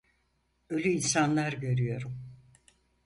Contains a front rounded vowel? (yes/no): yes